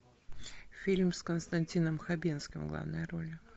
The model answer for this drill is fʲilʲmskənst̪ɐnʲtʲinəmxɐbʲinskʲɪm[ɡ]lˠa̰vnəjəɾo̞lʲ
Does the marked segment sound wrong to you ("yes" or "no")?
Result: no